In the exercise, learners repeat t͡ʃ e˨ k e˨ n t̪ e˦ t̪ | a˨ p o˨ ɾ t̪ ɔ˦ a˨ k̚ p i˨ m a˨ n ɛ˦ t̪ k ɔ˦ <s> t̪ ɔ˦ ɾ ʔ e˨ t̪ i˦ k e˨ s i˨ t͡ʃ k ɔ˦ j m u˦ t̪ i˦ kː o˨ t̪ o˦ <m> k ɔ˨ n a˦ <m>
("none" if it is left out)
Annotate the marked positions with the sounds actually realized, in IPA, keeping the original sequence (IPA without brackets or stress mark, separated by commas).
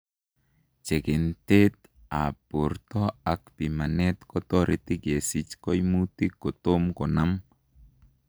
none, m, m